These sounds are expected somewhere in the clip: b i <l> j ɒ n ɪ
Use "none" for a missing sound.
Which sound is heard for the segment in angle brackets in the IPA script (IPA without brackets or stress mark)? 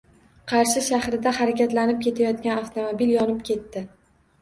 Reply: l